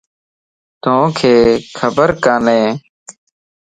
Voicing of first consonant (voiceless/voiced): voiceless